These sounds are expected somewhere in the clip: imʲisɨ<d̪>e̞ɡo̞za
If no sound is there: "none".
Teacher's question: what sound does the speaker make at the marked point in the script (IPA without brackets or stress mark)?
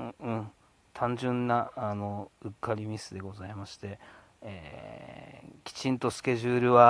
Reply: d̪